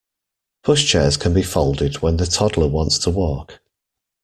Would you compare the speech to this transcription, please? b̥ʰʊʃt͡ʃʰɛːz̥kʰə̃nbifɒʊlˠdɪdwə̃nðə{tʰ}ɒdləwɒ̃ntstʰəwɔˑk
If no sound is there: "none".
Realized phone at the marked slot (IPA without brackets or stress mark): tʰ